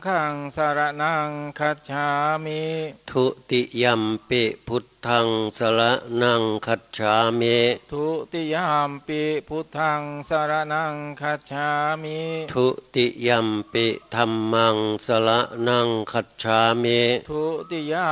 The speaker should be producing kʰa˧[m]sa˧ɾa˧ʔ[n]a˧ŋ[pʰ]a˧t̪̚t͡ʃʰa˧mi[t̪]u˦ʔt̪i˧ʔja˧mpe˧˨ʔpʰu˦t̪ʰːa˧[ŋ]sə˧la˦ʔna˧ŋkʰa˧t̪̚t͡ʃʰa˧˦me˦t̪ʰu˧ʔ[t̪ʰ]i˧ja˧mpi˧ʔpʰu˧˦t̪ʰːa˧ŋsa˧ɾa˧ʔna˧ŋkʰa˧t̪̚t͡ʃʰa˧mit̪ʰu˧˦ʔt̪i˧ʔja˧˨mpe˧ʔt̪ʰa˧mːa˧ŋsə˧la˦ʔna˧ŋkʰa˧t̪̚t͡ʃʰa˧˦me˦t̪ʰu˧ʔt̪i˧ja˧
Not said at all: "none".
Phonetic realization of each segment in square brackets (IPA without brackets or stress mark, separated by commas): ŋ, n, kʰ, t̪ʰ, ŋ, t̪